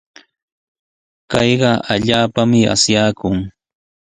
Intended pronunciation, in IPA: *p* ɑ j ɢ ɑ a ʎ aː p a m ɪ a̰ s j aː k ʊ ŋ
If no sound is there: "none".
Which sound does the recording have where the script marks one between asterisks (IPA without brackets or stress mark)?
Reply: k